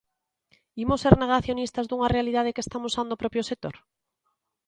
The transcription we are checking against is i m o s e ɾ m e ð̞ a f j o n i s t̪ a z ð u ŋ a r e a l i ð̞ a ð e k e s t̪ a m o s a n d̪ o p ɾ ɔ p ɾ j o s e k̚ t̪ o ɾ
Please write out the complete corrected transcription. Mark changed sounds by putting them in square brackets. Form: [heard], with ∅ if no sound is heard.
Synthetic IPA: i m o s e ɾ [n] e [ɣ̞] a [θ] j o n i s t̪ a z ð u ŋ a r e a l i ð̞ a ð e k e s t̪ a m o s a n d̪ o p ɾ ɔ p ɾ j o s e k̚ t̪ o ɾ